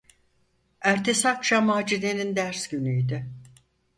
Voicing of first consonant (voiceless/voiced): voiced